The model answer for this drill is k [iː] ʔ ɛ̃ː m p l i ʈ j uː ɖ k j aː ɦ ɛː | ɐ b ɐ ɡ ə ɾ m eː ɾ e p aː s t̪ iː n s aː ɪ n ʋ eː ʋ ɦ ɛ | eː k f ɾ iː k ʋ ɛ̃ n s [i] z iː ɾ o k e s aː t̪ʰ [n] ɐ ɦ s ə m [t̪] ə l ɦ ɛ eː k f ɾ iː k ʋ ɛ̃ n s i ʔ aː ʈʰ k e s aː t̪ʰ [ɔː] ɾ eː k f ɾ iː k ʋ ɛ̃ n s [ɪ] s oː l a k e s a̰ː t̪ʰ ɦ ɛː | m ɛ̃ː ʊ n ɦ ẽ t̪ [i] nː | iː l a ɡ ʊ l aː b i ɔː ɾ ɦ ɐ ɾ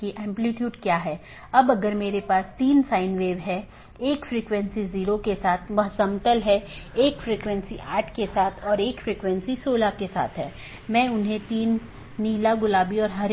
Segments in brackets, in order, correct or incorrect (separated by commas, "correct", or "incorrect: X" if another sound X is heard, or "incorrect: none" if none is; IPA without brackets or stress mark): incorrect: i, correct, incorrect: m, correct, correct, incorrect: i, incorrect: iː